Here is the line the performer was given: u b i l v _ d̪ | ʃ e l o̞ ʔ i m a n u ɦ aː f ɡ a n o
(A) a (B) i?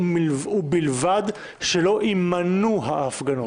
A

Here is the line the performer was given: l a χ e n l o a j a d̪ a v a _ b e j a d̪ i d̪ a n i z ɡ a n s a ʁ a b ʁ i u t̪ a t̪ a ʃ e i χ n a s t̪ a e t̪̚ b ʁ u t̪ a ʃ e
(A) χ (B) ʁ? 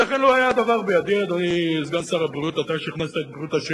B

